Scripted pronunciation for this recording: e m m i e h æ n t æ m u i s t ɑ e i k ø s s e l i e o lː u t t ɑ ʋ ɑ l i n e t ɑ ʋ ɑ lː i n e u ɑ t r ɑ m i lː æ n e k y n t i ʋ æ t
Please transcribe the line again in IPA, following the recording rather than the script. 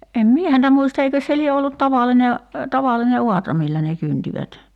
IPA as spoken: e m m i e h æ n t æ m u i s t ɑ e i k ø s s e l i e o lː u t t ɑ ʋ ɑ l i n e t ɑ ʋ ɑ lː i n e u ɑ t r ɑ m i lː æ n e k y n t i ʋ æ t